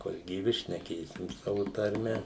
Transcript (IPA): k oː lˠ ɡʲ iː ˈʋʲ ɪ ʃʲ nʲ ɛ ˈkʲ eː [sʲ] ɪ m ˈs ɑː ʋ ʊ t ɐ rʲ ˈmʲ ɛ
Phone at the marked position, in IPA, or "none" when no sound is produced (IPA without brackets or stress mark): sʲ